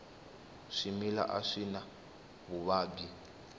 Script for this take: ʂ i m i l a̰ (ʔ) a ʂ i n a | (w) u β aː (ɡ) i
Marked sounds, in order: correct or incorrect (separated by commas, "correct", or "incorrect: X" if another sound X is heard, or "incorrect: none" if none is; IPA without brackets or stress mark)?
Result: correct, incorrect: β, correct